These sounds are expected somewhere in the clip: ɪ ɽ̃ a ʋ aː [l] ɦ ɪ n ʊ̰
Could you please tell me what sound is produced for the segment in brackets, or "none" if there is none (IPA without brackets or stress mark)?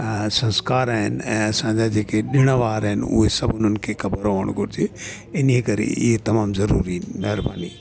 ɾ